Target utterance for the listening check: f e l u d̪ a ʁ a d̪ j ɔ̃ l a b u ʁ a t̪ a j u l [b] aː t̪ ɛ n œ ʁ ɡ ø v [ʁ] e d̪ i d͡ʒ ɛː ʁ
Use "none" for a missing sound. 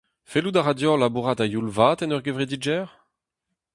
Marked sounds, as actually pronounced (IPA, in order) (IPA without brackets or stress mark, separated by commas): v, ʁ